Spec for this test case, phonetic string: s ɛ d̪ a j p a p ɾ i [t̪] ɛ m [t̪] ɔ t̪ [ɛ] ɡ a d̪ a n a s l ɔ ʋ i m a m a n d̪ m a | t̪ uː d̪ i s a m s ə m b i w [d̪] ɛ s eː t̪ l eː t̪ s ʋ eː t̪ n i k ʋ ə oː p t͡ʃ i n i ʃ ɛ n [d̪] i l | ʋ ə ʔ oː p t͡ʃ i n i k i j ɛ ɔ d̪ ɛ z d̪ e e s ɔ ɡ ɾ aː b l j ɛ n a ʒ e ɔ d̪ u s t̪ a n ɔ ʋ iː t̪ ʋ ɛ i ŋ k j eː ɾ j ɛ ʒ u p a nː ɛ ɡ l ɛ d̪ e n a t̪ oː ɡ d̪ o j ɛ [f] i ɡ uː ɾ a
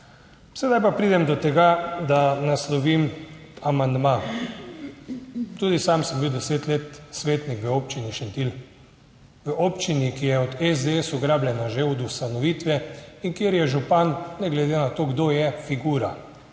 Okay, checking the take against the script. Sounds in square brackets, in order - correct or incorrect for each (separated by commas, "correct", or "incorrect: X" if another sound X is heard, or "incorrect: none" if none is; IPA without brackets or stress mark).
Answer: incorrect: d̪, incorrect: d̪, correct, correct, incorrect: t̪, correct